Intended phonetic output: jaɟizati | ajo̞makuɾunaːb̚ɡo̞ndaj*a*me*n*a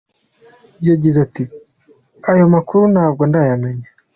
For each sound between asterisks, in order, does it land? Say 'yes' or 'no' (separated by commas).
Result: yes, no